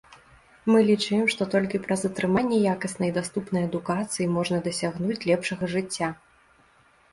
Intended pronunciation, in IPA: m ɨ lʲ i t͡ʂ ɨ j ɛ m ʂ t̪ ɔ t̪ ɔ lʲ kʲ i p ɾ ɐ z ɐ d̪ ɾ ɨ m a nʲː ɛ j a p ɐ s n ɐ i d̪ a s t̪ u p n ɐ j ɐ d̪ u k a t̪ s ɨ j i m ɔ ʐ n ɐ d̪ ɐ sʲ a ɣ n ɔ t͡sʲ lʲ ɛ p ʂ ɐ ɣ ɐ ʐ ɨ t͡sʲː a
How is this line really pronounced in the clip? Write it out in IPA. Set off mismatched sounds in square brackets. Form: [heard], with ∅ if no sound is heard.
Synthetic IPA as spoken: m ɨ lʲ i t͡ʂ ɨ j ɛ m ʂ t̪ ɔ t̪ ɔ lʲ kʲ i p ɾ ɐ z ɐ [t̪] ɾ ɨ m a nʲː ɛ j a [k] ɐ s n ɐ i d̪ a s t̪ u p n ɐ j ɐ d̪ u k a t̪ s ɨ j i m ɔ ʐ n ɐ d̪ ɐ sʲ a ɣ n [u] t͡sʲ lʲ ɛ p ʂ ɐ ɣ ɐ ʐ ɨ t͡sʲː a